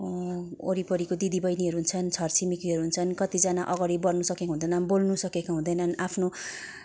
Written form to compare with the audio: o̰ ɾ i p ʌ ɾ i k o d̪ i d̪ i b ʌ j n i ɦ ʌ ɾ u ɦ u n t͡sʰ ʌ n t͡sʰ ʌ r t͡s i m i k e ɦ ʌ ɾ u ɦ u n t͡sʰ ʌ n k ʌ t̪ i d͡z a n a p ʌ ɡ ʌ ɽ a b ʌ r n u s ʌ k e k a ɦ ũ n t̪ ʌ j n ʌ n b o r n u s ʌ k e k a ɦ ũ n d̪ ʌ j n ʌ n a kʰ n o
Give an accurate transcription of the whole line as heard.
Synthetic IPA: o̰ ɾ i p ʌ ɾ i k o d̪ i d̪ i b ʌ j n i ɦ ʌ ɾ u ɦ u n t͡sʰ ʌ n t͡sʰ ʌ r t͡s i m i k i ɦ ʌ ɾ u ɦ u n t͡sʰ ʌ n k ʌ t̪ i d͡z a n a ʔ ʌ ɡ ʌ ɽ i b ʌ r n u s ʌ k e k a ɦ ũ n d̪ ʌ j n ʌ n b o l n u s ʌ k e k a ɦ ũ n d̪ ʌ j n ʌ n a pʰ n o

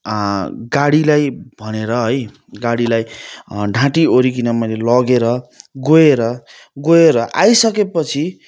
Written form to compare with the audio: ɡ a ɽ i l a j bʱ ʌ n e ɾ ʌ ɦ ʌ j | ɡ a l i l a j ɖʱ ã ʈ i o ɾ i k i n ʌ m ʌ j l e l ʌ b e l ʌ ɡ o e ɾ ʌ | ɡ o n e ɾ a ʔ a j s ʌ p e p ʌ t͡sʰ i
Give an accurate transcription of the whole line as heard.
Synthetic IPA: ɡ a ɽ i l a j bʱ ʌ n e ɾ ʌ ɦ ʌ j | ɡ a ɽ i l a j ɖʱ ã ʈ i o ɾ i k i n ʌ m ʌ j l e l ʌ ɡ e ɾ ʌ ɡ o e ɾ ʌ | ɡ o e ɾ ʌ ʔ a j s ʌ k e p ʌ t͡sʰ i

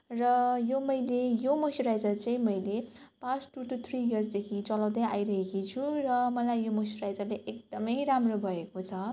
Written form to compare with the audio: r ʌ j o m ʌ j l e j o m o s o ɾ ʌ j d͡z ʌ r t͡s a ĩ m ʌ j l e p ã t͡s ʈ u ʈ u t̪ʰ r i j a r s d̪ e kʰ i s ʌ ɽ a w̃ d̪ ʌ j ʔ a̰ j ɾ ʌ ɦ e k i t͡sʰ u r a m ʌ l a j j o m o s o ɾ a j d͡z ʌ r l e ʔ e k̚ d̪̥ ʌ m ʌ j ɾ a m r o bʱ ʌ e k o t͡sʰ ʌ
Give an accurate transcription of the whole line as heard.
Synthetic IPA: r ʌ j o m ʌ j l e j o m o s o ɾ a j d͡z ʌ r t͡s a ĩ m ʌ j l e p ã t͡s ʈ u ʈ u t̪ʰ r i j ʌ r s d̪ e kʰ i t͡s ʌ l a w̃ d̪ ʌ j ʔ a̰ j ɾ ʌ ɦ e k i t͡sʰ u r ʌ m ʌ l a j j o m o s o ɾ a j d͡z ʌ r l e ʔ e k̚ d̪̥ ʌ m ʌ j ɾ a m r o bʱ ʌ e k o t͡sʰ ʌ

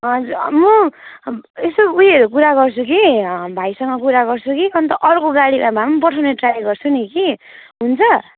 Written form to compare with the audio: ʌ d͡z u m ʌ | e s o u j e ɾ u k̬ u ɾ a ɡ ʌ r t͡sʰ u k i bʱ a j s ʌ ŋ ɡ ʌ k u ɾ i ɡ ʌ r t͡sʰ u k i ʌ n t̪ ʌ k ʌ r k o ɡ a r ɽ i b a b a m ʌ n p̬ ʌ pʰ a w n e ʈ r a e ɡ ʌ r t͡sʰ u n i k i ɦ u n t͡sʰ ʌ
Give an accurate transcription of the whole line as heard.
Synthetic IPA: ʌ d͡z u m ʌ | e s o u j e ɾ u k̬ u ɾ a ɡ ʌ r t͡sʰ u k i bʱ a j s ʌ ŋ ɡ ʌ k u ɾ a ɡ ʌ r t͡sʰ u k i ʌ n t̪ ʌ ʔ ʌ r k o ɡ a ɽ i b a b a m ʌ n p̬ ʌ ʈʰ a w n e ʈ r a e ɡ ʌ r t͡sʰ u n i k i ɦ u n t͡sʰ ʌ

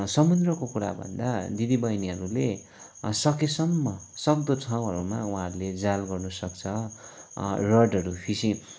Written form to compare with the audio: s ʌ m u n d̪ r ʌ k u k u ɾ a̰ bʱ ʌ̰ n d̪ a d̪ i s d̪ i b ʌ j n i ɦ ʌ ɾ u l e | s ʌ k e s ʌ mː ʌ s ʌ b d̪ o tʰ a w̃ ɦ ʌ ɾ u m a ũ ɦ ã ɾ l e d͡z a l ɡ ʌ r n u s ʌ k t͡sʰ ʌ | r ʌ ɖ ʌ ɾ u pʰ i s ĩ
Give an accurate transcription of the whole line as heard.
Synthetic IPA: s ʌ m u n d̪ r ʌ k o k u ɾ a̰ bʱ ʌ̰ n d̪ a d̪ i d̪ i b ʌ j n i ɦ ʌ ɾ u l e | s ʌ k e s ʌ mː ʌ s ʌ b d̪ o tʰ a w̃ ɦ ʌ ɾ u m a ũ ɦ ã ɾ l e d͡z a l ɡ ʌ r n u s ʌ k t͡sʰ ʌ | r ʌ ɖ ʌ ɾ u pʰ i s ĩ

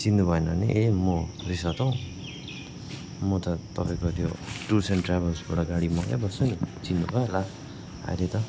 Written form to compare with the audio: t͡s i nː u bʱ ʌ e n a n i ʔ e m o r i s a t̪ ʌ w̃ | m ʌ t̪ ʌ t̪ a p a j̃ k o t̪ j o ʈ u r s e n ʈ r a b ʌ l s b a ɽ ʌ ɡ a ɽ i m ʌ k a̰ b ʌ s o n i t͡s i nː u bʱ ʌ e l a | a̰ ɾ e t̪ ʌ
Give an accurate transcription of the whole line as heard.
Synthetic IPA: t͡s i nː u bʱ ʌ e n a n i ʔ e m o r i s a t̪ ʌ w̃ | m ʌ t̪ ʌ t̪ ʌ p a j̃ k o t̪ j o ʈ u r s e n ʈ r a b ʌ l s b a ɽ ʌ ɡ a ɽ i m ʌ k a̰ b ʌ s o n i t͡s i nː u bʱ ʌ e l a | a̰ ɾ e t̪ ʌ

